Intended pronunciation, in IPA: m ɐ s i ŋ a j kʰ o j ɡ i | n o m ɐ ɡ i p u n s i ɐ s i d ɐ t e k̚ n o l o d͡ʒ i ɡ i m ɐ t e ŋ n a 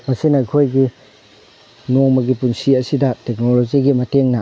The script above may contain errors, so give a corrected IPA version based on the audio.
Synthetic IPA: m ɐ s i n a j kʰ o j ɡ i | n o m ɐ ɡ i p u n s i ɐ s i d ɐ t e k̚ n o l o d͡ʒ i ɡ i m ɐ t e ŋ n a